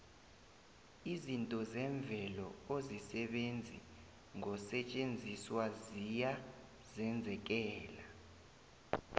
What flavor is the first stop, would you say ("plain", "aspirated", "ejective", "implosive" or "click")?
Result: ejective